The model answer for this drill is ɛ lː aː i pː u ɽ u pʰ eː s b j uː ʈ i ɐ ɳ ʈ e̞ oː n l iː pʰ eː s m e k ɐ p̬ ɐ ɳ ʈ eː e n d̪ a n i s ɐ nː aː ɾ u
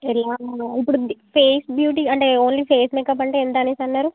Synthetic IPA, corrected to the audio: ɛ l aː i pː u ɽ u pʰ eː s b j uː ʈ i ɐ ɳ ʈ e̞ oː n l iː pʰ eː s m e k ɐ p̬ ɐ ɳ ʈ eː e n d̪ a n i s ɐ nː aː ɾ u

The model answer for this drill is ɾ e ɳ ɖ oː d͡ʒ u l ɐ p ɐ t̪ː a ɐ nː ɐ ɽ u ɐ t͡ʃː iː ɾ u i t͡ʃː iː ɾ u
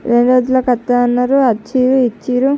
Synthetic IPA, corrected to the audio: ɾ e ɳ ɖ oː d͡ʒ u l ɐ k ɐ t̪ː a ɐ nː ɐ ɾ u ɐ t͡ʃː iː ɾ u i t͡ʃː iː ɾ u

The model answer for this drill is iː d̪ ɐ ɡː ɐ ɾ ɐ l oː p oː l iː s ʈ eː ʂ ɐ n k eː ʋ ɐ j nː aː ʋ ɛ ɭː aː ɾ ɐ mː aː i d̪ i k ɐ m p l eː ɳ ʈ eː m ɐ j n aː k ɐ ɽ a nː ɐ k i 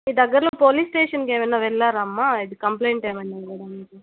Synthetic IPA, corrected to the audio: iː d̪ ɐ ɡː ɐ ɾ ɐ l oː p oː l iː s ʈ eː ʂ ɐ n k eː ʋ ɐ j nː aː ʋ ɛ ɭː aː ɾ ɐ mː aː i d̪ i k ɐ m p l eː ɳ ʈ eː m ɐ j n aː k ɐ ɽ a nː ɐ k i

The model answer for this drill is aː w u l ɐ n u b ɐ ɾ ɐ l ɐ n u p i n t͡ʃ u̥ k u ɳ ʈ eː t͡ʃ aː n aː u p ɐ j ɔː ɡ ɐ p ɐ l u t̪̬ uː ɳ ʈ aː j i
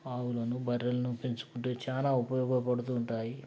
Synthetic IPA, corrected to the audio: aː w u l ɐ n u b ɐ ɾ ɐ l ɐ n u p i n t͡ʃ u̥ k u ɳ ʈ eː t͡ʃ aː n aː u p ɐ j ɔː ɡ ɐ p ɐ ɽ u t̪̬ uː ɳ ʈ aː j i

